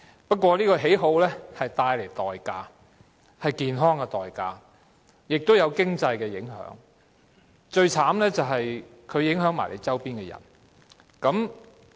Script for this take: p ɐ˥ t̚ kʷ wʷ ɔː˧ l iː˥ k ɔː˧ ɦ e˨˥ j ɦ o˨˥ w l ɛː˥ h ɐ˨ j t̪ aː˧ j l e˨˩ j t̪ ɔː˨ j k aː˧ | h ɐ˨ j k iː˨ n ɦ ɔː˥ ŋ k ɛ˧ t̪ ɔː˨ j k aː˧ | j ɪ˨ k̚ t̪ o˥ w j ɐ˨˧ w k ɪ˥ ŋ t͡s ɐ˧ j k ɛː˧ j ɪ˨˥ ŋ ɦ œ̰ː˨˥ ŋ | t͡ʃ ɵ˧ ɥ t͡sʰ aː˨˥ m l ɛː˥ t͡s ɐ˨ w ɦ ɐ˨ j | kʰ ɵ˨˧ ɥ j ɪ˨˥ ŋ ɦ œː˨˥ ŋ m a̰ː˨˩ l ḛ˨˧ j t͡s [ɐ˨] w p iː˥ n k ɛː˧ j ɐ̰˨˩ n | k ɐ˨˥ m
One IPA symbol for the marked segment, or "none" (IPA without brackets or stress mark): ɐ˥